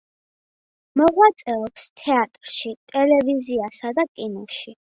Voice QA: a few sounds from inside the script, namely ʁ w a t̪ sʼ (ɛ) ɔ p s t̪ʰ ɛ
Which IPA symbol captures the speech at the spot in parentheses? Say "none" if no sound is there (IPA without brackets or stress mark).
ɛ